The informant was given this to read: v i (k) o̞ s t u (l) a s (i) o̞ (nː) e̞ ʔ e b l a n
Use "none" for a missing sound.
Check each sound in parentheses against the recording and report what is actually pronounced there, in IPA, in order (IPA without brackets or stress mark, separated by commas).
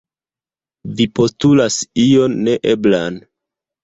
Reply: p, l, i, nː